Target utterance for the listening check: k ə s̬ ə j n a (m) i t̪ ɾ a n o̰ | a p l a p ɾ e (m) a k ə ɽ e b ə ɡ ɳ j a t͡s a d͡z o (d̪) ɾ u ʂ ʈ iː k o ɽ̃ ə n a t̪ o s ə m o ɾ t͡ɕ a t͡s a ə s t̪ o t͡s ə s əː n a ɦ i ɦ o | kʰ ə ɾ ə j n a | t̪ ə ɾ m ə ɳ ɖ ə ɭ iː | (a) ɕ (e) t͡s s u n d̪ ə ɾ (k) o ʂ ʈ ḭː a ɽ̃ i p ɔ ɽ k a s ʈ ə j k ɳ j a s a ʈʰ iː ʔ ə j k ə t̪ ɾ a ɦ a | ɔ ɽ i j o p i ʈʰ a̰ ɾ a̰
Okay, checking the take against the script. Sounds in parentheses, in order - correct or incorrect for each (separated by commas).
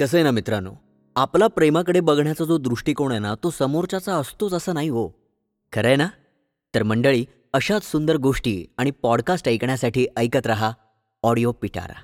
correct, correct, correct, incorrect, incorrect, incorrect